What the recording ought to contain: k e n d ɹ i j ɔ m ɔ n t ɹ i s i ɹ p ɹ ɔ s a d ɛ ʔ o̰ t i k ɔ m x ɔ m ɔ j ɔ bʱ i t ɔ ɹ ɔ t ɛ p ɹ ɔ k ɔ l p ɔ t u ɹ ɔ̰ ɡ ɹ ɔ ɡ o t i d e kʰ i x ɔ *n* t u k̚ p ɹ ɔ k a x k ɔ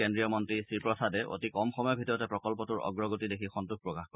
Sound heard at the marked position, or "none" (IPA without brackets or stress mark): n